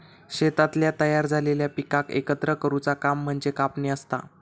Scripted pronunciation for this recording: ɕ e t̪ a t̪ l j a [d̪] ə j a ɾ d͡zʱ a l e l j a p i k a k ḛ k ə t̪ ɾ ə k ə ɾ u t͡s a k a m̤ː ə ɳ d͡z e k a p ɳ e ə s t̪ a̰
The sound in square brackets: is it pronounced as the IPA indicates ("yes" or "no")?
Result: no